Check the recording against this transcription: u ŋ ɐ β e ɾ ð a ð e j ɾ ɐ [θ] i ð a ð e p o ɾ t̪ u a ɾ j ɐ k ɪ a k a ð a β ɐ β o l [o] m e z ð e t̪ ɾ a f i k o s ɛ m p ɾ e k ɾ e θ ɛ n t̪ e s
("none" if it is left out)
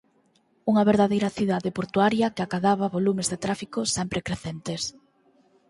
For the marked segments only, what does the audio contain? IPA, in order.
θ, u

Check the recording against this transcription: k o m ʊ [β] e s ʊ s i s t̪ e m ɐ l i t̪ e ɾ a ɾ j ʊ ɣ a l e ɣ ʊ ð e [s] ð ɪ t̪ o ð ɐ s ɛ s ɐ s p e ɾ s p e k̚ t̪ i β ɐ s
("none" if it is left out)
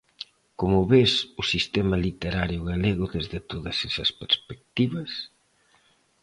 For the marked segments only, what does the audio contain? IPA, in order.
β, z

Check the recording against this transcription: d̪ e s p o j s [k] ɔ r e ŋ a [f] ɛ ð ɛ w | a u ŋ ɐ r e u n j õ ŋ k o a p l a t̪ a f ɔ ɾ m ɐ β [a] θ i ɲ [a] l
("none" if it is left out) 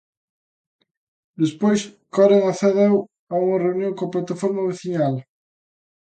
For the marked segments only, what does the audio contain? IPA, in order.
k, θ, e, a

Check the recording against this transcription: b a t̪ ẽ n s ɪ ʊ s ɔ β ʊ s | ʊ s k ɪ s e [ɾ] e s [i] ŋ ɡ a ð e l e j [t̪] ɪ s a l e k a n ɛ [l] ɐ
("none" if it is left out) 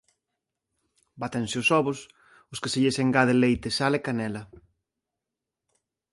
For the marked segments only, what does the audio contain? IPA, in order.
ʎ, e, t̪, l

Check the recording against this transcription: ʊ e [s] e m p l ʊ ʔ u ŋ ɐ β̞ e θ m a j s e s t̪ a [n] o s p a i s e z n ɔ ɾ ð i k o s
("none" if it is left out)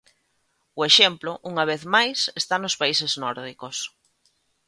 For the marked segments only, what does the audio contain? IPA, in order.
ʃ, n

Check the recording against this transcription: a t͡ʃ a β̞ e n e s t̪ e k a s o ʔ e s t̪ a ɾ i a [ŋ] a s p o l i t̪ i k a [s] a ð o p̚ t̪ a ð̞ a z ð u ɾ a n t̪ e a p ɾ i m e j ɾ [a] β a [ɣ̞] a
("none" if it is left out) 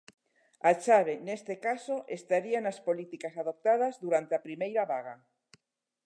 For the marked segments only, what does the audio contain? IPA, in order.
n, s, a, ɣ̞

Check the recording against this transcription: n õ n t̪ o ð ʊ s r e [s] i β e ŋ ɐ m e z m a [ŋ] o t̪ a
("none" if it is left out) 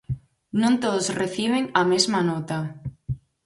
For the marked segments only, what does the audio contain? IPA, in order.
θ, n

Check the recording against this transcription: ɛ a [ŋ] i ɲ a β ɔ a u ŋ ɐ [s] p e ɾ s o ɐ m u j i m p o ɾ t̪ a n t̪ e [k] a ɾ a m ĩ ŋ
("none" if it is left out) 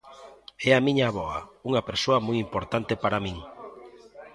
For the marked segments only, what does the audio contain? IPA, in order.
m, none, p

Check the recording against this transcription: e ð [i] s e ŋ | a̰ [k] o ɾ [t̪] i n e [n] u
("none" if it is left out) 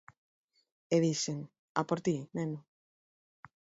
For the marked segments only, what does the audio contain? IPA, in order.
i, p, t̪, n

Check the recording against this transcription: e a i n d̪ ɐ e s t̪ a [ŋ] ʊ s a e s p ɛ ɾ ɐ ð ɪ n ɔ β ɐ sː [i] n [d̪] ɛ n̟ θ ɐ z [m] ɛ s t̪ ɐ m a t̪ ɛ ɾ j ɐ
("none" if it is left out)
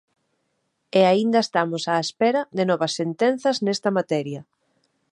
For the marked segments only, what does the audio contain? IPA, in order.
m, e, t̪, n

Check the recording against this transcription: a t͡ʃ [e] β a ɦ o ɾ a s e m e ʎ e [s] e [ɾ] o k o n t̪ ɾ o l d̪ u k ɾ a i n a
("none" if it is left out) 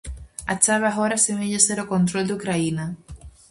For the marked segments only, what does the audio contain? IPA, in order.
a, s, ɾ

